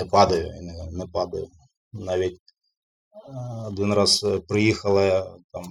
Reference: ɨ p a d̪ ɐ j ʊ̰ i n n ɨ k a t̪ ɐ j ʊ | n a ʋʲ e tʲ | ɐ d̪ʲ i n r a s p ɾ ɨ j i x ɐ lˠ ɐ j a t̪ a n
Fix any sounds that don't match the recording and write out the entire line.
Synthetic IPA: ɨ p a d̪ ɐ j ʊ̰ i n n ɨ p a d̪ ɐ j ʊ | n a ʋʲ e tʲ | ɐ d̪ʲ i n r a s p ɾ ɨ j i x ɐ lˠ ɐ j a t̪ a m